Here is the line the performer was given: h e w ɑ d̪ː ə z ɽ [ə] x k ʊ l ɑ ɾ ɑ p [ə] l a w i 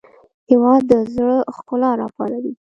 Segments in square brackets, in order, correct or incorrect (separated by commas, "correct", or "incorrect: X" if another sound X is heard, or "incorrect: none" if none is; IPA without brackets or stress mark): correct, incorrect: ɑ